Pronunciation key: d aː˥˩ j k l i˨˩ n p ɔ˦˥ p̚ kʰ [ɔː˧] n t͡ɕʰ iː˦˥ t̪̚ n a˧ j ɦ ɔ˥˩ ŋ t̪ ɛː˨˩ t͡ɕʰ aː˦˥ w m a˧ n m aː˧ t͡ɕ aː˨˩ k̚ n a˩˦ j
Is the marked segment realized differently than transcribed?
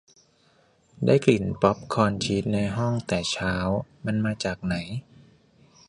no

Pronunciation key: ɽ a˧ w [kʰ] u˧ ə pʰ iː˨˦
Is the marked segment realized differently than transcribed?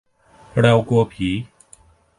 yes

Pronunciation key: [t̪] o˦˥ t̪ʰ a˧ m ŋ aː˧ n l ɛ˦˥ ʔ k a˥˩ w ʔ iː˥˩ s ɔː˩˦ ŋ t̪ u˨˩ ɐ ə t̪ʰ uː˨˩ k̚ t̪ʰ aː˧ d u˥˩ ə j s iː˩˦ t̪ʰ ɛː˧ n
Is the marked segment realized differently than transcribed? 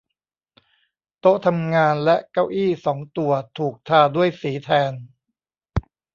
no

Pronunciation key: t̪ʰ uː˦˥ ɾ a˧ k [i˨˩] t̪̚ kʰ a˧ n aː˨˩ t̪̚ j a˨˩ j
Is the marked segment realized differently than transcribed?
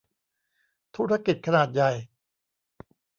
no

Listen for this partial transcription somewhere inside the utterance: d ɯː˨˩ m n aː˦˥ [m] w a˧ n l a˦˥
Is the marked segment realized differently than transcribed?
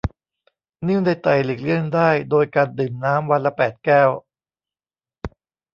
no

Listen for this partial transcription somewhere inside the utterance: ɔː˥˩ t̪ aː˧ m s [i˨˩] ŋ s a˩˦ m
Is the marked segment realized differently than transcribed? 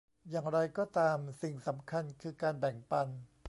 no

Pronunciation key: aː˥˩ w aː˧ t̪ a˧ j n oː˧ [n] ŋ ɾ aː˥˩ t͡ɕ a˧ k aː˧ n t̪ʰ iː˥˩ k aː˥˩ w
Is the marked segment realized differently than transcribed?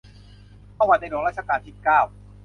yes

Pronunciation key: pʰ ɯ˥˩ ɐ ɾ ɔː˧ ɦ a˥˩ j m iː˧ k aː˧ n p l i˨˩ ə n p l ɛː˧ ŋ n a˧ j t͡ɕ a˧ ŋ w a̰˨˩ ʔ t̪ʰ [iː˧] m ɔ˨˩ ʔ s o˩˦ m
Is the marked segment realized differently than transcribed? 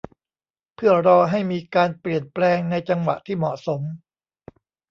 yes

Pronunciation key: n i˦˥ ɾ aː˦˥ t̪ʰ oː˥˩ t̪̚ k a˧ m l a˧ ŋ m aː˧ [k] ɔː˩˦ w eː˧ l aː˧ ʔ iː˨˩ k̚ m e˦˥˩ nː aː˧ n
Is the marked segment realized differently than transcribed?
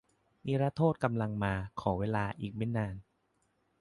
yes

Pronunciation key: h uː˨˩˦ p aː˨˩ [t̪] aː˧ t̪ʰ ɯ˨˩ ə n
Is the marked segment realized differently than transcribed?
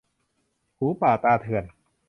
no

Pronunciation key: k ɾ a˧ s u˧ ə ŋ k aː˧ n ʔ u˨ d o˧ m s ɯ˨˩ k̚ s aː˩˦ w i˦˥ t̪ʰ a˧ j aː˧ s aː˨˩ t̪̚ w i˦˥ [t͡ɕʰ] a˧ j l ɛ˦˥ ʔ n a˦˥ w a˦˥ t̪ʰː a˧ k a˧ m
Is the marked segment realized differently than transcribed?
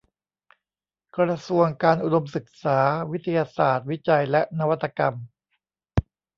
yes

